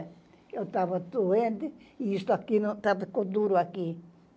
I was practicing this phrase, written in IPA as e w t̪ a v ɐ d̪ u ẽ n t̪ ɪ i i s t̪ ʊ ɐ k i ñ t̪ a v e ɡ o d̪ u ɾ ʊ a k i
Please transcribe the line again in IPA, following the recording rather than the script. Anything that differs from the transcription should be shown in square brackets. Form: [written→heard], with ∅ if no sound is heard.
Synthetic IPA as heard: e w t̪ a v ɐ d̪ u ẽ n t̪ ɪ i i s t̪ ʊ [ɐ→a] k i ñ t̪ a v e [ɡ→k] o d̪ u ɾ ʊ a k i